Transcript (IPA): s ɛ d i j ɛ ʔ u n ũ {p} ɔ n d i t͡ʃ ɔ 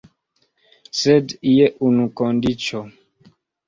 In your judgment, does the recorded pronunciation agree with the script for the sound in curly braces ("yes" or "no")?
no